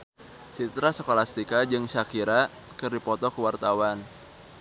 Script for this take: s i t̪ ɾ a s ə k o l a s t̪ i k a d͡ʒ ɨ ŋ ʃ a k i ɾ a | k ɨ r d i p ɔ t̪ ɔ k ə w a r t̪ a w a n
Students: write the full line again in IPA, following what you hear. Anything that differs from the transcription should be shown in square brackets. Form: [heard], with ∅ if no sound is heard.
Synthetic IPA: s i t̪ ɾ a s ə k o l a s t̪ i k a d͡ʒ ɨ ŋ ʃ a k i ɾ a | k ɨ r d i p ɔ t̪ ɔ k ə w a r t̪ a w a n